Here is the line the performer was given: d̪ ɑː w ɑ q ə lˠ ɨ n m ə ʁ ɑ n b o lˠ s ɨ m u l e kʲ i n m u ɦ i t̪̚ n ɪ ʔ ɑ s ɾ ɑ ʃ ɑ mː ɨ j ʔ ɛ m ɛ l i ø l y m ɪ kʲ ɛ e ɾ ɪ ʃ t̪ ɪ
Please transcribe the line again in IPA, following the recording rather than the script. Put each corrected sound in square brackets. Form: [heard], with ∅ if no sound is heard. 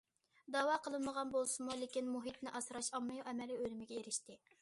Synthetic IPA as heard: d̪ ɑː w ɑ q ə lˠ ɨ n m ə ʁ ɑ n b o lˠ s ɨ m u l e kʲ i n m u ɦ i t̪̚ n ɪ ʔ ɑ s ɾ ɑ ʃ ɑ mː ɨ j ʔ ɛ m ɛ l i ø l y m ɪ [ɡʲ] ɛ e ɾ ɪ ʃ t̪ ɪ